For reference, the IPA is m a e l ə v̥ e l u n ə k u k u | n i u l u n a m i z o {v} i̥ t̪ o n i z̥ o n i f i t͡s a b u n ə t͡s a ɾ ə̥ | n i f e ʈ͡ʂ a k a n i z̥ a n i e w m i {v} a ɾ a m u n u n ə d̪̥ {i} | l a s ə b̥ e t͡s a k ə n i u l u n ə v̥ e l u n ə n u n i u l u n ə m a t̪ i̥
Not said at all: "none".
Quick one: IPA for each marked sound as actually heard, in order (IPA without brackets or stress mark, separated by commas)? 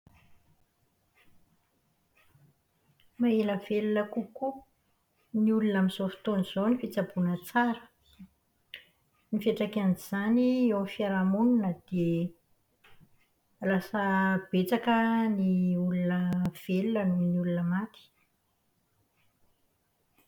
f, f, e